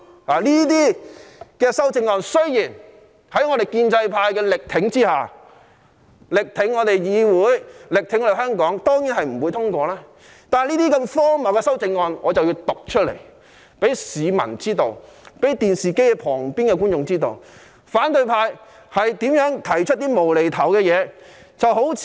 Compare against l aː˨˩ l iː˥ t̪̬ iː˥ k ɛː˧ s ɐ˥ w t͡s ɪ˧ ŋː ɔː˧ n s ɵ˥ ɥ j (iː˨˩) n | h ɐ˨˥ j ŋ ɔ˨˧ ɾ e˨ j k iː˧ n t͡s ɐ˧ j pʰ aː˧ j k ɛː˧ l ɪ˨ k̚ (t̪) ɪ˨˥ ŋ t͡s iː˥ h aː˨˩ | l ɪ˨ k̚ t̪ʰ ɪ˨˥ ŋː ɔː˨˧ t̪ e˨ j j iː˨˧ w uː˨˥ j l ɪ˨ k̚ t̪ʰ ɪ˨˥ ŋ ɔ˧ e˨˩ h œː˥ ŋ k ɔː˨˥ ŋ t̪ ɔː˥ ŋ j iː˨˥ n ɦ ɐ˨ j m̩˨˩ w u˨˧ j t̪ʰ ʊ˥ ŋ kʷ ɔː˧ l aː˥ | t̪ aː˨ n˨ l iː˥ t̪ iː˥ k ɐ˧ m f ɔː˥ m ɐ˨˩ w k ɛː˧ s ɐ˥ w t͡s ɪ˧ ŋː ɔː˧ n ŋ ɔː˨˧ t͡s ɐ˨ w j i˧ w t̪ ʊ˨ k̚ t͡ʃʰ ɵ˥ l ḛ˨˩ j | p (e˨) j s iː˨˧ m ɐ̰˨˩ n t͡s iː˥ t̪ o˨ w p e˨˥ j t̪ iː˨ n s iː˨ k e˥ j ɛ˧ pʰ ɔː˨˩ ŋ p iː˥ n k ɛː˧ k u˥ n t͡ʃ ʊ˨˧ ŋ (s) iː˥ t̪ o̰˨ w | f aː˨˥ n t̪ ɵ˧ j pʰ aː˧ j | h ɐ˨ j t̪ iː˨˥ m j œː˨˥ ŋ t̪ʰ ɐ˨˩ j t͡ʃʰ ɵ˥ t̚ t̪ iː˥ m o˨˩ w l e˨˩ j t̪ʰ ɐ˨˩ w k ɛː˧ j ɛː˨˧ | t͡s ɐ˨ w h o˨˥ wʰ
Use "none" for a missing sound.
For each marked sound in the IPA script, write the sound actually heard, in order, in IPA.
iː˨˩, t̪ʰ, e˨˥, t͡s

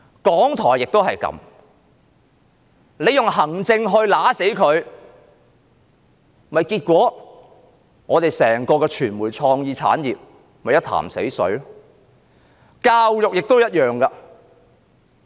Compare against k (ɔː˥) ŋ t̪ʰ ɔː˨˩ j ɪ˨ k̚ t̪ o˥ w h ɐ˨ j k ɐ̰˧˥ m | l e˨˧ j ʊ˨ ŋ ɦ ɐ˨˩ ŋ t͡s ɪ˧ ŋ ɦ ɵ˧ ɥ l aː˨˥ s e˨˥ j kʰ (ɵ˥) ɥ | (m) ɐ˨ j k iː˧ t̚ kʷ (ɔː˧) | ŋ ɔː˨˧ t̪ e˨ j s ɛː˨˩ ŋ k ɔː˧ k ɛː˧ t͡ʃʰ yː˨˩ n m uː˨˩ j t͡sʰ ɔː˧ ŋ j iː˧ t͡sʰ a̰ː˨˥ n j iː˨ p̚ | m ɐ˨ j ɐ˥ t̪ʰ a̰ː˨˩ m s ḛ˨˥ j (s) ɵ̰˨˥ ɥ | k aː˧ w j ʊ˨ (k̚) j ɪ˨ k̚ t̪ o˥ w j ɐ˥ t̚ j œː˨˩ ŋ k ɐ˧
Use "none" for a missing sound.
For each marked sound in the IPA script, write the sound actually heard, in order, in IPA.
ɔː˨˥, ɵ˨˧, m, ɔː˨˥, s, k̚

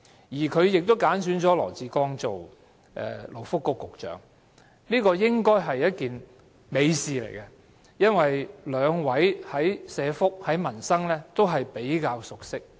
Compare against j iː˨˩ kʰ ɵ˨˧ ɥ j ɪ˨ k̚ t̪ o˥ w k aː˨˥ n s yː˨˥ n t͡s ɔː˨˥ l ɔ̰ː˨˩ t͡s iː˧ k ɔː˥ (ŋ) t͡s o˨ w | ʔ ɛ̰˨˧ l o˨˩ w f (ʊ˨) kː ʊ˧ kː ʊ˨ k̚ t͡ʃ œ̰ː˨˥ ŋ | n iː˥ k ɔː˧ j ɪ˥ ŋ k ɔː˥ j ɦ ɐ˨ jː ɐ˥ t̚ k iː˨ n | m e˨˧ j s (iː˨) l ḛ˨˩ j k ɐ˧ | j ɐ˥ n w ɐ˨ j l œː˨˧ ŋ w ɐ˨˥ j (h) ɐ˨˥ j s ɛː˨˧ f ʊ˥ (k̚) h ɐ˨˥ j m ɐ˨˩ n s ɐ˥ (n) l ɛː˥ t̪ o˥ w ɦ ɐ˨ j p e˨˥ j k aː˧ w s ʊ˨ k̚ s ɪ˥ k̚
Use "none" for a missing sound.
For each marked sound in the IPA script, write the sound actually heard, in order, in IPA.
ŋ, ʊ˥, iː˨, h, k̚, ŋ

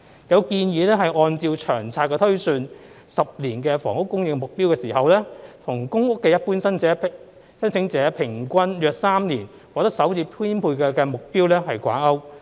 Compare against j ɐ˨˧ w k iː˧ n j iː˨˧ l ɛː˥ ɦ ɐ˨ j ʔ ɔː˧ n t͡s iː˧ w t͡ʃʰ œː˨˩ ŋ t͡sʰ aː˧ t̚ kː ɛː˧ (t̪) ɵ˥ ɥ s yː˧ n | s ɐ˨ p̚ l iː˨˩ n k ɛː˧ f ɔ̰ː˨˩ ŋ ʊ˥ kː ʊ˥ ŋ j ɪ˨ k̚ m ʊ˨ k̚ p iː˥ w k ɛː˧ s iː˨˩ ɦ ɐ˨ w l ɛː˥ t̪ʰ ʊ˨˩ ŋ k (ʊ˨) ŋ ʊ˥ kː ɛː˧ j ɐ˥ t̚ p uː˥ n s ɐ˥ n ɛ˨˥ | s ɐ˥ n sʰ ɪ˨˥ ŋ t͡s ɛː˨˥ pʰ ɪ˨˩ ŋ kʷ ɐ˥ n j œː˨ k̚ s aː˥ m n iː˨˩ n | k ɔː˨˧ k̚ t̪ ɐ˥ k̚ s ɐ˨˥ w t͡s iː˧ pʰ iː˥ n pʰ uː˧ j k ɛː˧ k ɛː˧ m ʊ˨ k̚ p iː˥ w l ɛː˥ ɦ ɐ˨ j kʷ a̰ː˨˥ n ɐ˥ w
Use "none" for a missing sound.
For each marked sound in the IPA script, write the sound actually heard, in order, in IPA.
t̪ʰ, ʊ˥

